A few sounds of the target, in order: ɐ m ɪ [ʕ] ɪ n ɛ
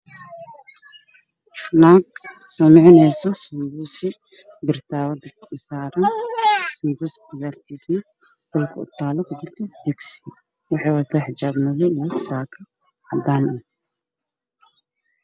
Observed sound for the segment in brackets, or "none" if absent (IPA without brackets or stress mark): ʕ